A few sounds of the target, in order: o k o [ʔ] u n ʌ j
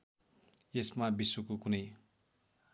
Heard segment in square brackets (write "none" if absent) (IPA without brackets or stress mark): k